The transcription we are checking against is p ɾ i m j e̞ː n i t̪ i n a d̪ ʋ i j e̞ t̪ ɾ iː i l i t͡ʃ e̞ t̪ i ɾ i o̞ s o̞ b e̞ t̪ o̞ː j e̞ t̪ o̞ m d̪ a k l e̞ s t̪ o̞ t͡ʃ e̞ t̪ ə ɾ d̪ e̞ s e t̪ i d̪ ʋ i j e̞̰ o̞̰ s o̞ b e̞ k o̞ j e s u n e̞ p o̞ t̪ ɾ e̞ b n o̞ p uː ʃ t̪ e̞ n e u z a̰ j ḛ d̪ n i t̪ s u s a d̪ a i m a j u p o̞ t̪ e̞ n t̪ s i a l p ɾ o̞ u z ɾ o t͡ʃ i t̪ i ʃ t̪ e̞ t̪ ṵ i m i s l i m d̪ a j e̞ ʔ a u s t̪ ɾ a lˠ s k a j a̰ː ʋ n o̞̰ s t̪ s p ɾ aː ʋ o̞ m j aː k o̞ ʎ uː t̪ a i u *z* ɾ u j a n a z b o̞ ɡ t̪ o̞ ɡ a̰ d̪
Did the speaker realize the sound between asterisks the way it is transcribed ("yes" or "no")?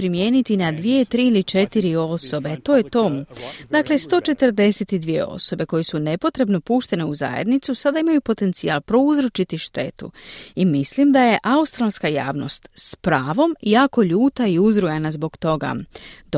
yes